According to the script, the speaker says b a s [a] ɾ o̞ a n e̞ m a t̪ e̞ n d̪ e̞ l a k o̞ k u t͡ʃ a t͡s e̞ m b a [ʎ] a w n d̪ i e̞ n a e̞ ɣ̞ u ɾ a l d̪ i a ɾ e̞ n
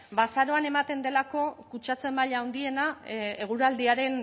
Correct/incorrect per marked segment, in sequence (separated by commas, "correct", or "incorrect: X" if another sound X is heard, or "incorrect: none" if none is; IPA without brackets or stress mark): correct, correct